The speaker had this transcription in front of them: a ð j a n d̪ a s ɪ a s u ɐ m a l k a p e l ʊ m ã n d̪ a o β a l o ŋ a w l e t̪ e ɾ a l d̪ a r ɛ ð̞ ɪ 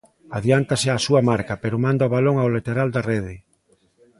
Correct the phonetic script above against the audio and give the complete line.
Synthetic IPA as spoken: a ð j a n t̪ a s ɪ a s u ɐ m a ɾ k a p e ɾ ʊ m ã n d̪ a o β a l o ŋ a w l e t̪ e ɾ a l d̪ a r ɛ ð̞ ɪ